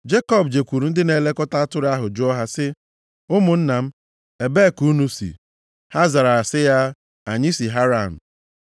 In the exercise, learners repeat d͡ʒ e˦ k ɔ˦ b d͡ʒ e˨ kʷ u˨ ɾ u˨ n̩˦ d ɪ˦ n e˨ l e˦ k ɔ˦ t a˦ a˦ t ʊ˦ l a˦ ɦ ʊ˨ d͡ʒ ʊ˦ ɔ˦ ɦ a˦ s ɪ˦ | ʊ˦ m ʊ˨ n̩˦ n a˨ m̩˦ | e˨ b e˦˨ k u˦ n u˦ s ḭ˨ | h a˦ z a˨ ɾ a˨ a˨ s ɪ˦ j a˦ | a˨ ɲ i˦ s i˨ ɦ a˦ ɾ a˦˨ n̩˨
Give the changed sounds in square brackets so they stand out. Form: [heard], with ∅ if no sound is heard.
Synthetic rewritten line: d͡ʒ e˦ k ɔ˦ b d͡ʒ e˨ kʷ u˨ ɾ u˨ n̩˦ d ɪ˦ n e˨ l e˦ k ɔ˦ t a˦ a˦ t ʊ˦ [ɾ] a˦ ɦ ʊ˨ d͡ʒ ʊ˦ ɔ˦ ɦ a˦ s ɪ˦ | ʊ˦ m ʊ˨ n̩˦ n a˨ m̩˦ | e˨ b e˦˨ k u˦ n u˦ s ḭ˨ | h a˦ z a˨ ɾ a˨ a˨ s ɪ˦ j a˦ | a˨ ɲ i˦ s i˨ ɦ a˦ ɾ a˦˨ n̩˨

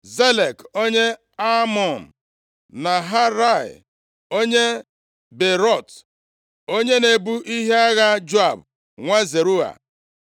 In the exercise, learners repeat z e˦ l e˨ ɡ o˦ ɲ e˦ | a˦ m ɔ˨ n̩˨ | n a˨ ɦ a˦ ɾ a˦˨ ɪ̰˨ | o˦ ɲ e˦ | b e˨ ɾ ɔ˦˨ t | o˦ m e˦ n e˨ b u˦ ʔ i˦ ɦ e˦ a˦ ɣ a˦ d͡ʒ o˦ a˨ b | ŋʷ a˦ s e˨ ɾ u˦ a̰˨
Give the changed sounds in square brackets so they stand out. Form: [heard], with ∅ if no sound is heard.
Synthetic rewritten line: z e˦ l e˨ [k] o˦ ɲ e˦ | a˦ m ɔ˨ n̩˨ | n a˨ ɦ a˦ ɾ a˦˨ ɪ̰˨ | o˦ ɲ e˦ | b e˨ ɾ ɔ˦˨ t | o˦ [ɲ] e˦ n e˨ b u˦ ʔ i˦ ɦ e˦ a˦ ɣ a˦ d͡ʒ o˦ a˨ b | ŋʷ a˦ [z] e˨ ɾ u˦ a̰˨

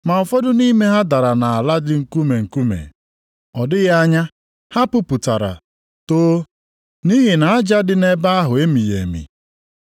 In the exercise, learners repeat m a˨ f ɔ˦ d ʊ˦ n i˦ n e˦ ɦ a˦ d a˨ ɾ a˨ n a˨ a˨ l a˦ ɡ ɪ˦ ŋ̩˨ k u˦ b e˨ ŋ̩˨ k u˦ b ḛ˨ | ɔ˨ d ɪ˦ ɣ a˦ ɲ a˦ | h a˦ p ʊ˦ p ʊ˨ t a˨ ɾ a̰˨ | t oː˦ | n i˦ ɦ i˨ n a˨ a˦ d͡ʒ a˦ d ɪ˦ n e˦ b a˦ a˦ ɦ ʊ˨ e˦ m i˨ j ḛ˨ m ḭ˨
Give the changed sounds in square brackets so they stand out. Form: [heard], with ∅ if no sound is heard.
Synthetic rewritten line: m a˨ f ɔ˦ d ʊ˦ n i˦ [m] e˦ ɦ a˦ d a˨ ɾ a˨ n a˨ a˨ l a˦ [d] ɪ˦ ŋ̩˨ k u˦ [m] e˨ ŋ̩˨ k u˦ [m] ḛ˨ | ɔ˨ d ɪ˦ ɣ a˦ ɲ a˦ | h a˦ p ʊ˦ p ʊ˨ t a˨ ɾ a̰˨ | t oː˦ | n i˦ ɦ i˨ n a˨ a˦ d͡ʒ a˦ d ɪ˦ n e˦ b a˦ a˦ ɦ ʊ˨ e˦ m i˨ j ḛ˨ m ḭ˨

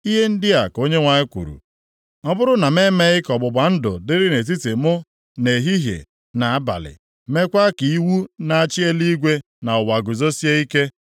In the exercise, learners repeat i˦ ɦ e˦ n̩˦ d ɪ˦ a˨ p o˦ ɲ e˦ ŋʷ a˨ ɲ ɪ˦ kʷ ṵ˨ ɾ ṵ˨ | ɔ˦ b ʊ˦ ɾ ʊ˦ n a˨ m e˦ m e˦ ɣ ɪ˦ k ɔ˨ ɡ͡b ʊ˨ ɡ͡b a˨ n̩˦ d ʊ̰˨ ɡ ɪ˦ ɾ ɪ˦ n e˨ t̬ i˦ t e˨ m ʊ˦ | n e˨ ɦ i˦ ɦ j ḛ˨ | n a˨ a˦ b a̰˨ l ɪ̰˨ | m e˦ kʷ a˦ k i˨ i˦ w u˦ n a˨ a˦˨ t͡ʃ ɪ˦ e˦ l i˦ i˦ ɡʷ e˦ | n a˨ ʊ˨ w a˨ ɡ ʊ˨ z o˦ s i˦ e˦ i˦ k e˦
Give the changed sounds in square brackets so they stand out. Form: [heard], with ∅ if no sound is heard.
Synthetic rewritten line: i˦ ɦ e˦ n̩˦ d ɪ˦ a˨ [k] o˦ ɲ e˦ ŋʷ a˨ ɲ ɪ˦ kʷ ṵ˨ ɾ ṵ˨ | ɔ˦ b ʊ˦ ɾ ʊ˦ n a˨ m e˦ m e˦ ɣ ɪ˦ k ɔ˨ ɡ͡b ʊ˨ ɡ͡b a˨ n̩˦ d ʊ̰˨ [d] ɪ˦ ɾ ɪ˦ n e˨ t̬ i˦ t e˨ m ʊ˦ | n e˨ ɦ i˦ ɦ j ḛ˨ | n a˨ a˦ b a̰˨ l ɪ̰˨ | m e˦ kʷ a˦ k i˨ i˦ w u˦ n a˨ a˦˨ t͡ʃ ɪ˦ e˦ l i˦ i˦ ɡʷ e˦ | n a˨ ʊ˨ w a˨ ɡ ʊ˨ z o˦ s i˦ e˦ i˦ k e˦

